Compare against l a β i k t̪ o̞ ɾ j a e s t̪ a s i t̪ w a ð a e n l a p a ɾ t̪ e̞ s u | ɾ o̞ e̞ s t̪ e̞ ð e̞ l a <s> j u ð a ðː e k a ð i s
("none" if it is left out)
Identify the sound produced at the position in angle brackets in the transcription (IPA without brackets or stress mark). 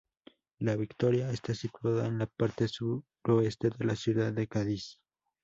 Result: s